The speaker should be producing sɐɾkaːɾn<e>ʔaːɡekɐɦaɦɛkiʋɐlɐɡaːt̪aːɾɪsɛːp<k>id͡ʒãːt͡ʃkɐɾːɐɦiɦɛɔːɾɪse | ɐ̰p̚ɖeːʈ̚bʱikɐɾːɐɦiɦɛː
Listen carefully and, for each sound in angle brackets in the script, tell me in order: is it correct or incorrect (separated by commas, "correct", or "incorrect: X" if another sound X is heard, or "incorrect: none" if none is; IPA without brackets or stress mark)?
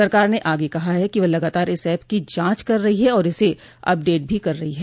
correct, correct